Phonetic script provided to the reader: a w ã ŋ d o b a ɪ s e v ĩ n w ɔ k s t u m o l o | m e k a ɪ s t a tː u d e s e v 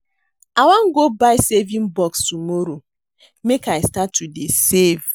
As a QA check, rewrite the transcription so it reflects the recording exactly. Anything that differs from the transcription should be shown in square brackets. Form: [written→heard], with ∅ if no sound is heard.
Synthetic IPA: a w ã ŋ [d→ɡ] o b a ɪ s e v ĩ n [w→b] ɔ k s t u m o [l→ɾ] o | m e k a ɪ s t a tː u d e s e v

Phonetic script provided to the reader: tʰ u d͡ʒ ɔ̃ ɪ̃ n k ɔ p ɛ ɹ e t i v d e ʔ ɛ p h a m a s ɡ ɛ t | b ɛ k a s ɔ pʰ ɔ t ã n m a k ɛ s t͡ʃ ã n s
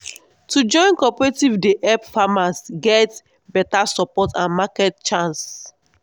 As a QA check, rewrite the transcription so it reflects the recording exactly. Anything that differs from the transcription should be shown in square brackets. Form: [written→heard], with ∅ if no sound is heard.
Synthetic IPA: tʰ u d͡ʒ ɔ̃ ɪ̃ n k ɔ p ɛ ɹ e t i v d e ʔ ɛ p [h→f] a m a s ɡ ɛ t | b ɛ [k→t] a s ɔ [pʰ→p] ɔ t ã n m a k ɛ [s→t] t͡ʃ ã n s

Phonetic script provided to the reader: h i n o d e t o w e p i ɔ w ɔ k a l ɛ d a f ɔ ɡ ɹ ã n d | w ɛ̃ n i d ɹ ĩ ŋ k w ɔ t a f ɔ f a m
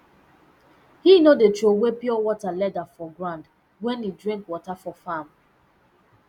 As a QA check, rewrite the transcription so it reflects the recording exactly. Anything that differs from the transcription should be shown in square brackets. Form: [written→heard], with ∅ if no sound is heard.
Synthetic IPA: h i n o d e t o w e p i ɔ w ɔ [k→t] a l ɛ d a f ɔ ɡ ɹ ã n d | w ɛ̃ n i d ɹ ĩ ŋ k w ɔ t a f ɔ f a m

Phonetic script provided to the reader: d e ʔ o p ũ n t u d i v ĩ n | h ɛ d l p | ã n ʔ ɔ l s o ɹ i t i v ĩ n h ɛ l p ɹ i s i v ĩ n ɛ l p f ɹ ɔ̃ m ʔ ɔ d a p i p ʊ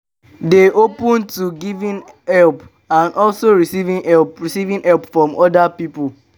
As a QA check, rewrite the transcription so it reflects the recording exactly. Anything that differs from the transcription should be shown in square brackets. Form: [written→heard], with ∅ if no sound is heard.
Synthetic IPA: d e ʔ o p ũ n t u [d→ɡ] i v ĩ n | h ɛ [d→∅] l p | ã n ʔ ɔ l s o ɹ i [t→s] i v ĩ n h ɛ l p ɹ i s i v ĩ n ɛ l p f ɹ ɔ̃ m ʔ ɔ d a p i p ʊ

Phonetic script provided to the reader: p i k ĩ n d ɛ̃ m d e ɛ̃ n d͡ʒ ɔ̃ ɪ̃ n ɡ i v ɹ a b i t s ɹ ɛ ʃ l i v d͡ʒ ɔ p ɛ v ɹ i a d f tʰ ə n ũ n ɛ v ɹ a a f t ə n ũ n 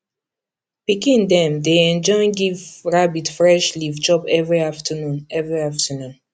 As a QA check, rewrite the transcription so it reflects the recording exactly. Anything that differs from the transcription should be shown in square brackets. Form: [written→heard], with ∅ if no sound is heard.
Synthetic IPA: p i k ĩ n d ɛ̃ m d e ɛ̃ n d͡ʒ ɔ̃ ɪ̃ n ɡ i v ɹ a b i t [s→f] ɹ ɛ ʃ l i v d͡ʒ ɔ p ɛ v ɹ i a [d→∅] f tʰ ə n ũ n ɛ v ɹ [a→i] a f t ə n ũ n

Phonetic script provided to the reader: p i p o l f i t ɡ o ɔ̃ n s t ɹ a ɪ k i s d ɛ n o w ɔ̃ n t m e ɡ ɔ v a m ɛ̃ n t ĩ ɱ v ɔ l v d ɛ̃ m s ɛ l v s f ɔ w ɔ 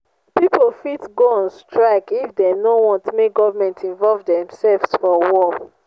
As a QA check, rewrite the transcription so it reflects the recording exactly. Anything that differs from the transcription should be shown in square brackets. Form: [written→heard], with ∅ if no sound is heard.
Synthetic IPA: p i p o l f i t ɡ o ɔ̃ n s t ɹ a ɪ k i [s→f] d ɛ n o w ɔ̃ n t m e ɡ ɔ v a m ɛ̃ n t ĩ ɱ v ɔ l v d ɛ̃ m s ɛ l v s f ɔ w ɔ

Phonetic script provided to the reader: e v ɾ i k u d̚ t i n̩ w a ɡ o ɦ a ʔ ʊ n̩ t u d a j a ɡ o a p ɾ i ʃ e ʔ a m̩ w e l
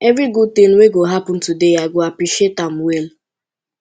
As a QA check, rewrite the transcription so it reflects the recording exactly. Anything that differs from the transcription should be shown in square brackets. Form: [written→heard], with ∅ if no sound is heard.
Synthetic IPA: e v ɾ i [k→ɡ] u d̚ t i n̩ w [a→e] ɡ o ɦ a [ʔ→p] ʊ n̩ t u d [a→e] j a ɡ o a p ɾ i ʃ e [ʔ→t] a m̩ w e l

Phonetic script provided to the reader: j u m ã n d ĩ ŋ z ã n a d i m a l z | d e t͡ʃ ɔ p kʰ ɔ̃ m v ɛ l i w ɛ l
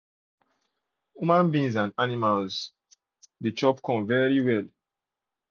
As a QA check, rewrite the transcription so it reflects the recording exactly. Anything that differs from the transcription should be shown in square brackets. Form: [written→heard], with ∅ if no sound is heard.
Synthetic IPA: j u m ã n [d→b] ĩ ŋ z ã n a [d→n] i m a l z | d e t͡ʃ ɔ p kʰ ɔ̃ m v ɛ [l→ɹ] i w ɛ l

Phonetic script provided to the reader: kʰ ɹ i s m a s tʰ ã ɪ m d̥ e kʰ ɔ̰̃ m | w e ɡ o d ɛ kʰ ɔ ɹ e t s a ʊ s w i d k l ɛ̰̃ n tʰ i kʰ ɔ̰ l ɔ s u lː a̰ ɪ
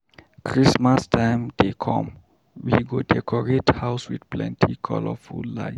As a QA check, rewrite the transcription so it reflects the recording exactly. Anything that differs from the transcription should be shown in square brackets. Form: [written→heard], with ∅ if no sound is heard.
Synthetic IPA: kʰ ɹ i s m a s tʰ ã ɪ m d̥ e kʰ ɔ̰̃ m | w [e→i] ɡ o d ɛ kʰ ɔ ɹ e t [s→h] a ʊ s w i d [k→p] l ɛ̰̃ n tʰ i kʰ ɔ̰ l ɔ [s→f] u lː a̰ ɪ

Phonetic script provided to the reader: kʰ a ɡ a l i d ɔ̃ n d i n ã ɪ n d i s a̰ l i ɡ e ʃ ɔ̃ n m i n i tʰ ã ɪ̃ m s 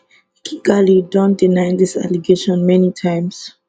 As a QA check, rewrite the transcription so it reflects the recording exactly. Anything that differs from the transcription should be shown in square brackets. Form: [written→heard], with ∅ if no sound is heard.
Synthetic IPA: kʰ [a→i] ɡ a l i d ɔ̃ n d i n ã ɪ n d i s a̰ l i ɡ e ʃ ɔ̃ n m [i→ɛ] n i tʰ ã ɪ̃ m s

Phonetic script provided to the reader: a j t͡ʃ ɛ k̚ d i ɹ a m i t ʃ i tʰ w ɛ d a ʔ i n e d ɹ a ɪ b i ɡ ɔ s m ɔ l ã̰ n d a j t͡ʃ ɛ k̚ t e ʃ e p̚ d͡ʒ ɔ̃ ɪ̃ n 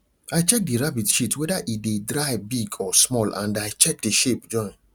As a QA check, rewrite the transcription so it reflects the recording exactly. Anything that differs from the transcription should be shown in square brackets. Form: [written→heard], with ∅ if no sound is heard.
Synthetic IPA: a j t͡ʃ ɛ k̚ d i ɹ a [m→b] i t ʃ i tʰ w ɛ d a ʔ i [n→d] e d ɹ a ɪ b i ɡ ɔ s m ɔ l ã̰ n d a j t͡ʃ ɛ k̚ [t→d] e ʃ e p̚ d͡ʒ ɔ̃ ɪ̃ n

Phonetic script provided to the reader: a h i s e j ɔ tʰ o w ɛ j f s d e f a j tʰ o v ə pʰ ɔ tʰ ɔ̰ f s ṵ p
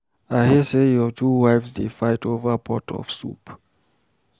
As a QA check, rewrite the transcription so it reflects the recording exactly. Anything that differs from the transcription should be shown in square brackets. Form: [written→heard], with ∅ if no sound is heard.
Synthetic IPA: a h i s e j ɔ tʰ [o→u] w [ɛ→a] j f s d e f a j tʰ o v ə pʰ ɔ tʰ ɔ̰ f s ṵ p

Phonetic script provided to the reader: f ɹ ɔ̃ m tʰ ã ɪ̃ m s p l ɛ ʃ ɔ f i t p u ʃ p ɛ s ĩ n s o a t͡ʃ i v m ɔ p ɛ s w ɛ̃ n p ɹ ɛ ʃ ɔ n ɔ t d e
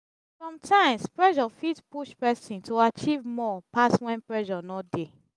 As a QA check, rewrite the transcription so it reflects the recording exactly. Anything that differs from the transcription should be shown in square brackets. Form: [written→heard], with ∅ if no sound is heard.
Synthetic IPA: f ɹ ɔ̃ m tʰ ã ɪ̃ m s p [l→ɹ] ɛ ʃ ɔ f i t p u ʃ p ɛ s ĩ n [s→t] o a t͡ʃ i v m ɔ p [ɛ→a] s w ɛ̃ n p ɹ ɛ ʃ ɔ n ɔ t d e

